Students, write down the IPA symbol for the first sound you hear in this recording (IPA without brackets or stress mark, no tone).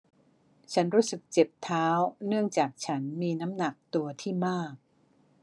t͡ɕʰ